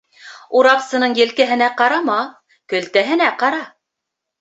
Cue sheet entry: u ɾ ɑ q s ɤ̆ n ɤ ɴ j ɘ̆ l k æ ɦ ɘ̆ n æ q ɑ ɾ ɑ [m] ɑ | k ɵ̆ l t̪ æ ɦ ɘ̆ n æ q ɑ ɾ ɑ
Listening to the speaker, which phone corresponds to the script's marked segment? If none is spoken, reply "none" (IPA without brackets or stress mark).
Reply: m